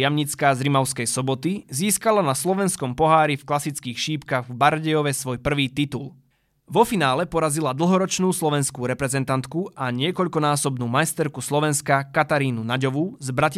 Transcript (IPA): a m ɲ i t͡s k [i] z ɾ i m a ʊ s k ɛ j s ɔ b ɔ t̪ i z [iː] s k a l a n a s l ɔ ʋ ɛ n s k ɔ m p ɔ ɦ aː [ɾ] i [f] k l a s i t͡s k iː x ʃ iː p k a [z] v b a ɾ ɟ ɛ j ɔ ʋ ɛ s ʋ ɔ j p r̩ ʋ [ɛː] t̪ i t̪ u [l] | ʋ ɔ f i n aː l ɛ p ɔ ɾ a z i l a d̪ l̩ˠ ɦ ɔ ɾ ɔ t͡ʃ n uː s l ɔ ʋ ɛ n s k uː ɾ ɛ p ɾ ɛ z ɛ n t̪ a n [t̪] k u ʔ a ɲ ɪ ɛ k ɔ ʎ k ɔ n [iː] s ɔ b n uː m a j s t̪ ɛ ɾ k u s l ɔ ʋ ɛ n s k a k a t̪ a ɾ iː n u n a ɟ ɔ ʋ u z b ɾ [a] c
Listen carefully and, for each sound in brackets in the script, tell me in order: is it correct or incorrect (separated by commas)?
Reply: incorrect, correct, correct, correct, incorrect, incorrect, correct, correct, incorrect, correct